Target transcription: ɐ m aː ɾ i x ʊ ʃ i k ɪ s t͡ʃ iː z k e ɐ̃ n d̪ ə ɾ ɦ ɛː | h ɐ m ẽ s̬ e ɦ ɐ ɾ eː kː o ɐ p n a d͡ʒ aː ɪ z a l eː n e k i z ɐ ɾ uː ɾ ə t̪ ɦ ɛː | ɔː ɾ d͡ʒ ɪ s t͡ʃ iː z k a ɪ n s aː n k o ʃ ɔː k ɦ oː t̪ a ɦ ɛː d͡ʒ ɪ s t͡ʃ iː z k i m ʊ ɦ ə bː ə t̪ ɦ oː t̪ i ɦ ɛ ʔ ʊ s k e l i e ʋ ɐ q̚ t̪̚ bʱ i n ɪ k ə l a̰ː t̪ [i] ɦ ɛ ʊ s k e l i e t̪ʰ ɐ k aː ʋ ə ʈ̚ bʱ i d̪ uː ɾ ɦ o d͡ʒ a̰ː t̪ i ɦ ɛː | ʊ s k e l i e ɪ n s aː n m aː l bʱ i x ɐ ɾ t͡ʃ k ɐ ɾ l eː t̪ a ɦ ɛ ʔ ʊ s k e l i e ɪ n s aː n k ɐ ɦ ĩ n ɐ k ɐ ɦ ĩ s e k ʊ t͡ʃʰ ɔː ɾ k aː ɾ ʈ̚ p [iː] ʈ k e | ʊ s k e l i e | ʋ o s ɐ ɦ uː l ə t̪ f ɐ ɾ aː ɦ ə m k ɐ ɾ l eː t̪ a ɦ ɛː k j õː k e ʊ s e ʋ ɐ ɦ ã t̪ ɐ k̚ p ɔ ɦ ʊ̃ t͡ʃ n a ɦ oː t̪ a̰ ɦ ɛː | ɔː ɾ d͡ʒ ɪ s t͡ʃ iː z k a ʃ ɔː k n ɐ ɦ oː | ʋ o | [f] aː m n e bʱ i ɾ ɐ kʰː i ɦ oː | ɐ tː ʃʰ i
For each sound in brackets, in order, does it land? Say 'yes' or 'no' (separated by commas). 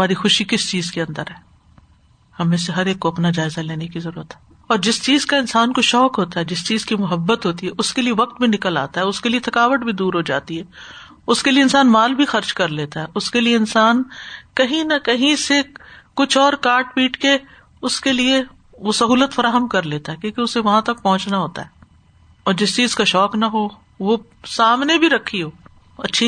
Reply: no, yes, no